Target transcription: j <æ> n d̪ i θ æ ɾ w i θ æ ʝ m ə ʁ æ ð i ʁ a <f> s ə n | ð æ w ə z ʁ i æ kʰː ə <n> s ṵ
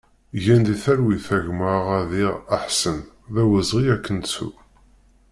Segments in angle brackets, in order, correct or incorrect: correct, incorrect, correct

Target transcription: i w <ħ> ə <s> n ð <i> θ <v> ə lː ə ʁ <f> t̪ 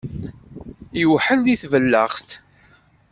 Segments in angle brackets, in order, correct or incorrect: correct, incorrect, correct, correct, incorrect

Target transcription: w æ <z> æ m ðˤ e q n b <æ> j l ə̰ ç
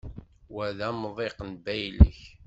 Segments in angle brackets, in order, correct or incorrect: incorrect, correct

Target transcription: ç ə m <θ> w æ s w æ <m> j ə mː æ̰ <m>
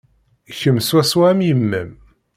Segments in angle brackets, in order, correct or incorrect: incorrect, correct, correct

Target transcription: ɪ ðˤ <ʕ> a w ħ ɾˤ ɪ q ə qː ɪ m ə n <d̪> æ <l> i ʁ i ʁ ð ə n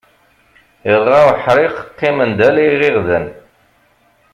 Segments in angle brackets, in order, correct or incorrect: incorrect, correct, correct

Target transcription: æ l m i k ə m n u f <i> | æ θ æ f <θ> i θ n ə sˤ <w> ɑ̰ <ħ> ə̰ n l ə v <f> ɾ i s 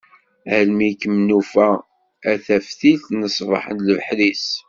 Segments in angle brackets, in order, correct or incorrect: incorrect, correct, incorrect, correct, incorrect

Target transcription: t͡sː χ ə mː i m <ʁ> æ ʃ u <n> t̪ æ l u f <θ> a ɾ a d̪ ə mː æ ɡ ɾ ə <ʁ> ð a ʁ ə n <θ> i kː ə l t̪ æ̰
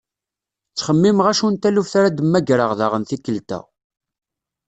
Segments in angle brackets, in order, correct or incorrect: correct, correct, correct, correct, correct

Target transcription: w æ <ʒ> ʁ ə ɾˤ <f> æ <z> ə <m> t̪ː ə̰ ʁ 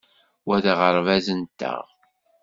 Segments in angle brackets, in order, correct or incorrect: incorrect, incorrect, correct, incorrect

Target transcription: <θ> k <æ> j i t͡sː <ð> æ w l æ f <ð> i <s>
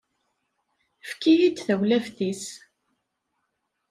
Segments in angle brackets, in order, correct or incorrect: incorrect, incorrect, incorrect, incorrect, correct

